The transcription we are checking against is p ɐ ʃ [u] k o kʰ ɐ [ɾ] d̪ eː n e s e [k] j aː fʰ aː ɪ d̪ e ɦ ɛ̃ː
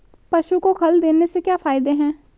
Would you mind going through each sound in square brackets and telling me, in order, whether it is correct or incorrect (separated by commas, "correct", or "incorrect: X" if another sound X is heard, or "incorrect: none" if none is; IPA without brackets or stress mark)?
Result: correct, incorrect: l, correct